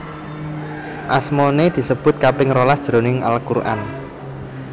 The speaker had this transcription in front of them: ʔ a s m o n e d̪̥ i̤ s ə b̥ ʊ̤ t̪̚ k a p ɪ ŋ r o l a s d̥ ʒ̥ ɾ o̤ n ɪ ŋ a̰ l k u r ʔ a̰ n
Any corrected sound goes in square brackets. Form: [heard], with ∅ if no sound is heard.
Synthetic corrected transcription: ʔ a s m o n e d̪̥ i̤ s ə b̥ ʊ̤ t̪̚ k a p ɪ ŋ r o l a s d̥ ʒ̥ ɾ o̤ n ɪ ŋ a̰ l k u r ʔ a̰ n